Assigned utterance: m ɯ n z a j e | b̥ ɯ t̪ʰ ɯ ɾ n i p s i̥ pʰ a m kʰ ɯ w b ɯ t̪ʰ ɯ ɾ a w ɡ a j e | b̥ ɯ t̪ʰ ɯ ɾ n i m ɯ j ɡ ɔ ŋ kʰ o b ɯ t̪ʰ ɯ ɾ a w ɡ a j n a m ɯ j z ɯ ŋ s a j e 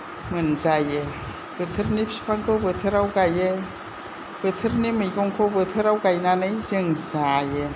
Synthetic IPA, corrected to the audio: m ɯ n z a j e | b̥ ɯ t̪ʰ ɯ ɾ n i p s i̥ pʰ a ŋ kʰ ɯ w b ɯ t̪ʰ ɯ ɾ a w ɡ a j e | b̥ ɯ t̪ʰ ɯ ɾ n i m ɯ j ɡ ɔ ŋ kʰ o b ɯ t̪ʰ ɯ ɾ a w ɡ a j n a n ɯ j z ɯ ŋ z a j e